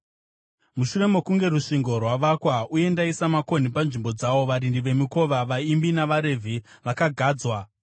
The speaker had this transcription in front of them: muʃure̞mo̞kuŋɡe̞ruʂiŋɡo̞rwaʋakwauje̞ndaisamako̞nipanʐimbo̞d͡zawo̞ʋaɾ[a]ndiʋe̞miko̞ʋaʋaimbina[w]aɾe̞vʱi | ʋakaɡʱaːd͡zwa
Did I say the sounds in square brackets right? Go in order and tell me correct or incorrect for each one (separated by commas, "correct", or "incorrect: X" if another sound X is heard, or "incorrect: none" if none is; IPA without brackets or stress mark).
incorrect: i, incorrect: ʋ